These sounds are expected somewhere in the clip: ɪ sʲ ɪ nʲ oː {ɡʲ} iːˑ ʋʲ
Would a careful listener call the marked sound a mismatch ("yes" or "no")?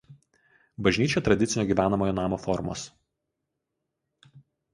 no